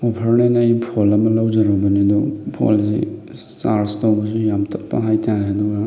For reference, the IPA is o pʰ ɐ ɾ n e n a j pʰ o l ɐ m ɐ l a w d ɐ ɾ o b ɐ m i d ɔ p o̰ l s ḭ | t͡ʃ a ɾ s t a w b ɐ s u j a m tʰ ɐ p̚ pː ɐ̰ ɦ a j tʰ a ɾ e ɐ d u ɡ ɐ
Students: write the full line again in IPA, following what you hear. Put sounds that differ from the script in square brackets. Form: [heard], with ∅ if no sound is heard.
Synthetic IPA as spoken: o pʰ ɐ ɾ n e n a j pʰ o l ɐ m ɐ l a w [d͡ʒ] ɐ ɾ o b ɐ [n] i d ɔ [pʰ] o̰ l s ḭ | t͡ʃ a ɾ s t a w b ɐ s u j a m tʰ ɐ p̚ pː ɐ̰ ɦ a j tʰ a ɾ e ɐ d u ɡ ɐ